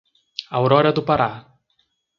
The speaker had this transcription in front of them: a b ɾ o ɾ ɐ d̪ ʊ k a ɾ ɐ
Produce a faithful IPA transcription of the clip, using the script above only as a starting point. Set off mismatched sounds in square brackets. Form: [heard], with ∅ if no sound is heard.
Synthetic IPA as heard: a [w] ɾ [ɔ] ɾ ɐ d̪ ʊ [p] a ɾ [a]